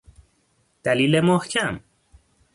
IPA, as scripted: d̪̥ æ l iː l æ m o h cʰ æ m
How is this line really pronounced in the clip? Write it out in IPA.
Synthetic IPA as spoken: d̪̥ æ l iː l e m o h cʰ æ m